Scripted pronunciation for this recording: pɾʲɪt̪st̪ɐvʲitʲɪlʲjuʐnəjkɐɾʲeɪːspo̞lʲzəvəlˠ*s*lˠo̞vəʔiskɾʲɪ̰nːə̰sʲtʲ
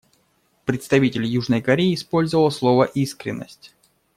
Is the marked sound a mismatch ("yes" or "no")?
no